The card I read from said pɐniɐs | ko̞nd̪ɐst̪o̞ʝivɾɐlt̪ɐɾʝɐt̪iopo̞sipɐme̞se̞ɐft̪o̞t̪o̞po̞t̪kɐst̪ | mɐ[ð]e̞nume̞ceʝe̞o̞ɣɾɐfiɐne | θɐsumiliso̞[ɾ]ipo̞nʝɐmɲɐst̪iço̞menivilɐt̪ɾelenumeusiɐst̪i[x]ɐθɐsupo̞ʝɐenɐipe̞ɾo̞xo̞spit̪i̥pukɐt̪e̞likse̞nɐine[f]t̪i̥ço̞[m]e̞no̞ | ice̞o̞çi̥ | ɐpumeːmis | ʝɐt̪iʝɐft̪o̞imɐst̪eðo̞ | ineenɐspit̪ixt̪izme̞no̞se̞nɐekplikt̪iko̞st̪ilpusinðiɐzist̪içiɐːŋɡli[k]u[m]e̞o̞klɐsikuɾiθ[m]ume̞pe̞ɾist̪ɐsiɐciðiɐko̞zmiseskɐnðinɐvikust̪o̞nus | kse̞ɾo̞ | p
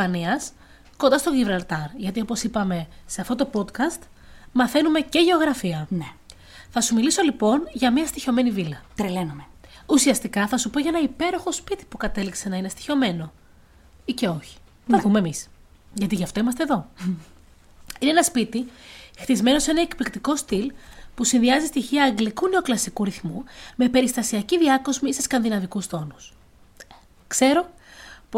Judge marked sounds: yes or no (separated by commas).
no, no, no, no, yes, yes, no, yes